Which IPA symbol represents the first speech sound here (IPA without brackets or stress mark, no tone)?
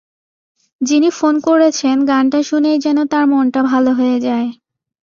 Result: d͡ʑ